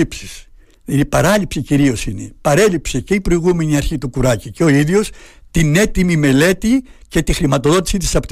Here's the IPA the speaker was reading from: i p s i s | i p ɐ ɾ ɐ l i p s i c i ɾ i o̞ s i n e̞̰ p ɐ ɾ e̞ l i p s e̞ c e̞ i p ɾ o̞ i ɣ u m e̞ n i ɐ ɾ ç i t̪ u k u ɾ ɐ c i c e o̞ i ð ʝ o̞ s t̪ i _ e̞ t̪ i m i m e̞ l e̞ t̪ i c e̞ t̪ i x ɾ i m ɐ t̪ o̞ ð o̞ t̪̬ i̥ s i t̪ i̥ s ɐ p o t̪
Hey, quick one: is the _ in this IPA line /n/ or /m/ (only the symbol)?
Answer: n